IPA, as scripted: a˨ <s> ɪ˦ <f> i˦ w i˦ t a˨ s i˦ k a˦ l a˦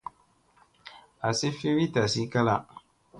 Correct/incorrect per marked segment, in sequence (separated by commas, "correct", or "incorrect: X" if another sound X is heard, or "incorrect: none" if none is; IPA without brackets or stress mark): correct, correct